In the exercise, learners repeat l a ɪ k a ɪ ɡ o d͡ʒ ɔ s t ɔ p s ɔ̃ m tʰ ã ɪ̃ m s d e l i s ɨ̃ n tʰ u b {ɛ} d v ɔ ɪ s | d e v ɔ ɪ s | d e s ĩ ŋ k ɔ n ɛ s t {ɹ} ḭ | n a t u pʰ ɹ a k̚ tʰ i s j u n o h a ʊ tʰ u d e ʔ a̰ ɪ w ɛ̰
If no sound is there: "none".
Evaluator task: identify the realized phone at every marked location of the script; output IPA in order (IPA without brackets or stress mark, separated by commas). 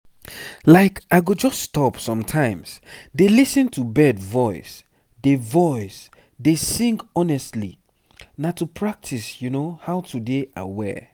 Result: ɛ, l